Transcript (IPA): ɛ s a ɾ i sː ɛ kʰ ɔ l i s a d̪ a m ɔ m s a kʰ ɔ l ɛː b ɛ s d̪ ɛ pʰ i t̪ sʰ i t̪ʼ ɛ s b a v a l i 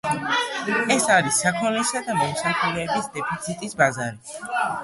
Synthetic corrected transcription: ɛ s a ɾ i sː a kʰ ɔ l i s a d̪ a m ɔ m s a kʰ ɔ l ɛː b i s d̪ ɛ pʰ i t̪ sʰ i t̪ʼ i s b a z a ɾ i